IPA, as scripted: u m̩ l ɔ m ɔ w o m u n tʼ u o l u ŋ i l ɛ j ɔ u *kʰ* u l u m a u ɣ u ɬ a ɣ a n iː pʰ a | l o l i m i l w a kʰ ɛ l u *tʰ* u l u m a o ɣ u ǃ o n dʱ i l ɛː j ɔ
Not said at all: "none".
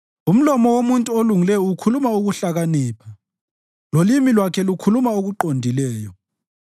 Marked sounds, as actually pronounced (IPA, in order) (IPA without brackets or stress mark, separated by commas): kʰ, kʰ